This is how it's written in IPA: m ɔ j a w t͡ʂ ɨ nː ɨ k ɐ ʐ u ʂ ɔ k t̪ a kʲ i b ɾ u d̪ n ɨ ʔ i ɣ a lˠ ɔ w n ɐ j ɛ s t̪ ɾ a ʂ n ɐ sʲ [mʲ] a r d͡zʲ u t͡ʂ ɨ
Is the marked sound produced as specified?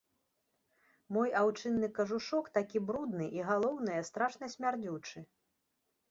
yes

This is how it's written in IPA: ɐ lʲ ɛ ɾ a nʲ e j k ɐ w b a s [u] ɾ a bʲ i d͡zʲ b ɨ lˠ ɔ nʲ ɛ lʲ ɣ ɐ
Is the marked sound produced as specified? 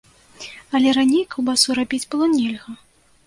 yes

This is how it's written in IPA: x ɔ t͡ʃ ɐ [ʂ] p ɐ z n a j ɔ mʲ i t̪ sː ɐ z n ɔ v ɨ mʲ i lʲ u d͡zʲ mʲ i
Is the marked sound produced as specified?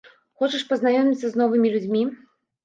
yes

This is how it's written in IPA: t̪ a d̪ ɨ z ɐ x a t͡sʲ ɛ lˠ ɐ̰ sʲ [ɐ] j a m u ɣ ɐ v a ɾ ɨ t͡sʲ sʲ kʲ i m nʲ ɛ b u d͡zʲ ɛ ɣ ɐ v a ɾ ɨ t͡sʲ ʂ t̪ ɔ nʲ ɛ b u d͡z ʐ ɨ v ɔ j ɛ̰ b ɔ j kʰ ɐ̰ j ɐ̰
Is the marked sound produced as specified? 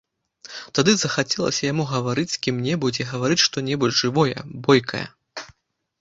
yes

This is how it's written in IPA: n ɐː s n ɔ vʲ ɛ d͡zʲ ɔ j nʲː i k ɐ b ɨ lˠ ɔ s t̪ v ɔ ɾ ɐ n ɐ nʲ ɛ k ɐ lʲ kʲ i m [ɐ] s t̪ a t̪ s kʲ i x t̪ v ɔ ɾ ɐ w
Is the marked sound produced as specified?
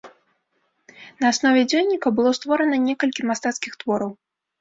no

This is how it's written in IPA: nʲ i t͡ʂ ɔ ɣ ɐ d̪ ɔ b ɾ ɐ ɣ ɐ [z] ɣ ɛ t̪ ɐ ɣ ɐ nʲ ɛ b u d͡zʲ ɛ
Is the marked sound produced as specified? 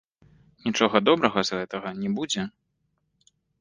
yes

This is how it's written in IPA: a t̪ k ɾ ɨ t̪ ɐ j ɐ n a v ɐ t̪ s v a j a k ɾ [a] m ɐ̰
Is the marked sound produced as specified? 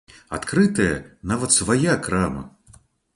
yes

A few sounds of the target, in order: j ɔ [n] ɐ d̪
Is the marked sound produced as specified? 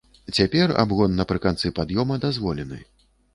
no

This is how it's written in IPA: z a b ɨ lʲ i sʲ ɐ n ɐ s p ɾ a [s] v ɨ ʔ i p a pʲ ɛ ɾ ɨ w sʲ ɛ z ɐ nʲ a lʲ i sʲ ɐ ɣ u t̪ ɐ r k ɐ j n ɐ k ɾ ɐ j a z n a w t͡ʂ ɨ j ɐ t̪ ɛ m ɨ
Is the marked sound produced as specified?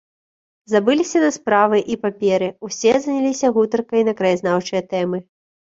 no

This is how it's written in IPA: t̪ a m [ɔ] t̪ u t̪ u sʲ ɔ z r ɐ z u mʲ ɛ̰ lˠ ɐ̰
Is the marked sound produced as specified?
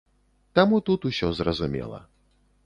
no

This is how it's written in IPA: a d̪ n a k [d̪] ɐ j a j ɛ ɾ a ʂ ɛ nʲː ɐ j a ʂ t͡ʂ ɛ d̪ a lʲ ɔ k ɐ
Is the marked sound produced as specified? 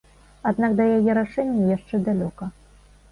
yes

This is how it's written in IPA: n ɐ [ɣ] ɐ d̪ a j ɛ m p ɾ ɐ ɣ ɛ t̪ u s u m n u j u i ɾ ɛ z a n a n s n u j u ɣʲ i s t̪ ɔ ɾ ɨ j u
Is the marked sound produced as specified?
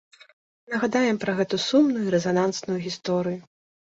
yes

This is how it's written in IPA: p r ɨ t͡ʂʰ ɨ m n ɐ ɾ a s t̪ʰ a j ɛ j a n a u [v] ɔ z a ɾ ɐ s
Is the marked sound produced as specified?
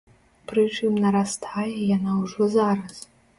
no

